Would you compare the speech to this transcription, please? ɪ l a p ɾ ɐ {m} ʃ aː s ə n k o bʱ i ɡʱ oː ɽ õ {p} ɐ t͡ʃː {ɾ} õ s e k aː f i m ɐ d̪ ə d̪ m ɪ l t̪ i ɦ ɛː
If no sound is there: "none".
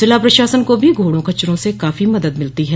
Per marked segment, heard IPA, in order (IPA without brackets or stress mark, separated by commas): none, k, ɾ